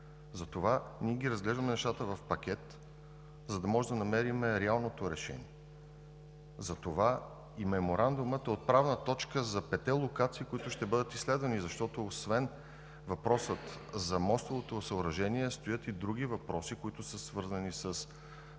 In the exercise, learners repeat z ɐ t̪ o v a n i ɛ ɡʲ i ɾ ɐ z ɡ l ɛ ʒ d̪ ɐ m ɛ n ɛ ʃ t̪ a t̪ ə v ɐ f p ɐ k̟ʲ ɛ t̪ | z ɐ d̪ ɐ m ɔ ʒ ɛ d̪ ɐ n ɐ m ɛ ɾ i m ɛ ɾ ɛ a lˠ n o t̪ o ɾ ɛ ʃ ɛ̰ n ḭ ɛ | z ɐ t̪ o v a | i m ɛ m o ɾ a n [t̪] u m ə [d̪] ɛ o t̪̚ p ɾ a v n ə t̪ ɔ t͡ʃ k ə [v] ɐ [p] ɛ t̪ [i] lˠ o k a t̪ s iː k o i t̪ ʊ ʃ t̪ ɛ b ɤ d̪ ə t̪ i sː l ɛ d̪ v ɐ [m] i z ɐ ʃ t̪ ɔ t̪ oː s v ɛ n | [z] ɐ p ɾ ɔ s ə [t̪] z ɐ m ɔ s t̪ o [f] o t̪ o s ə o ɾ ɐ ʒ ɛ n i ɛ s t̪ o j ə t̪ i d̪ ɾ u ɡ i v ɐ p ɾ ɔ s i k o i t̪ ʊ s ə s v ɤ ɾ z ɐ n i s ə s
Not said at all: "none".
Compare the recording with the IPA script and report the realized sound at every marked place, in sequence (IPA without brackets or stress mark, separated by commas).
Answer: d̪, t̪, z, p, ɛ, n, v, t̪, v